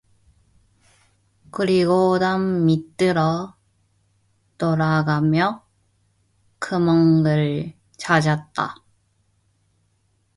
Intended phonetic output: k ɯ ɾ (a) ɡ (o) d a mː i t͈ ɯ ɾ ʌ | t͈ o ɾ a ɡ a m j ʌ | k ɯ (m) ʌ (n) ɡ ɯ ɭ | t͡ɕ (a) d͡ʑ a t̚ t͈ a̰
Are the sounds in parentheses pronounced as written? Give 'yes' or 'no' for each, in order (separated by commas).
no, yes, yes, no, yes